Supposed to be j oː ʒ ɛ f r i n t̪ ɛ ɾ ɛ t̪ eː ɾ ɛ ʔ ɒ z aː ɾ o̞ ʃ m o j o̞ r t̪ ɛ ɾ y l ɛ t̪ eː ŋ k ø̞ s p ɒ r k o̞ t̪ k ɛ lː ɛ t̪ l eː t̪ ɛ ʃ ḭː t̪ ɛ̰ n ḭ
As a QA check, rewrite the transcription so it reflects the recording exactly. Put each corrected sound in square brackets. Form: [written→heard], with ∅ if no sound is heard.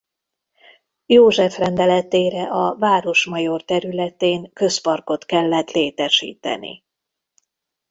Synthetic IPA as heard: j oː ʒ ɛ f r [i→ɛ] n [t̪→d̪] ɛ [ɾ→l] ɛ t̪ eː ɾ ɛ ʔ ɒ [z→v] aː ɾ o̞ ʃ m [o→ɒ] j o̞ r t̪ ɛ ɾ y l ɛ t̪ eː ŋ k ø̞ s p ɒ r k o̞ t̪ k ɛ lː ɛ t̪ l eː t̪ ɛ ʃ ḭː t̪ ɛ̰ n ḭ